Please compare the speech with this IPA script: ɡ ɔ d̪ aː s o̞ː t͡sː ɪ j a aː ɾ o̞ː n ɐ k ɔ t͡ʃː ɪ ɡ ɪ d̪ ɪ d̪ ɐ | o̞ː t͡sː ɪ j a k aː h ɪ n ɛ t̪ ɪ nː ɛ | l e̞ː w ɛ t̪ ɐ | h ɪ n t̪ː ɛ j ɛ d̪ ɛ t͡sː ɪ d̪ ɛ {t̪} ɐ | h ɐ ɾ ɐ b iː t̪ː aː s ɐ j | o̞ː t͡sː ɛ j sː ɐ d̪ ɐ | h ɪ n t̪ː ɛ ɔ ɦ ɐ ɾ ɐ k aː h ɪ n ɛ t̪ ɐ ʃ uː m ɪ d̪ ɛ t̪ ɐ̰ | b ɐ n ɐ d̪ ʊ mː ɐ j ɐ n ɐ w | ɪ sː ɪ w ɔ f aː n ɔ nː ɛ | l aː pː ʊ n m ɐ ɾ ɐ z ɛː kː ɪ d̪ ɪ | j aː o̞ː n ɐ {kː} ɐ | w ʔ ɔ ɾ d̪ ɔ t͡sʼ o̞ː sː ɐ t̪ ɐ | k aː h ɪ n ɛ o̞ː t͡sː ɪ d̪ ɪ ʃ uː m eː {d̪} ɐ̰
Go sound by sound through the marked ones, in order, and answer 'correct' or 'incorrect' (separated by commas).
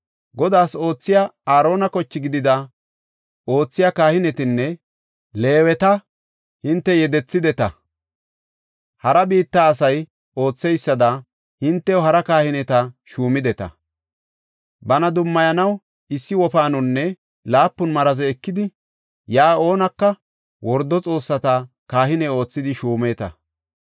correct, correct, incorrect